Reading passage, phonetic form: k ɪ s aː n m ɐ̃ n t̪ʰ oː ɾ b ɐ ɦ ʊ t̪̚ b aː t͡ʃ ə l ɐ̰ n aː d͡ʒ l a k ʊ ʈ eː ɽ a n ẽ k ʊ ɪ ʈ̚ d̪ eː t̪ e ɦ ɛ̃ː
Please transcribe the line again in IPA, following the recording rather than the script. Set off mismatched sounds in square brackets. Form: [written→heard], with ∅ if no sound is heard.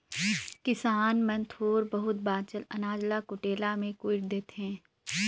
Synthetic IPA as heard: k ɪ s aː n m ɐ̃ n t̪ʰ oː ɾ b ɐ ɦ ʊ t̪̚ b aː t͡ʃ ə l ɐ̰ n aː d͡ʒ l a k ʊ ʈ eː [ɽ→l] a [n→m] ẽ k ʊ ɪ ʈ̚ d̪ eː t̪ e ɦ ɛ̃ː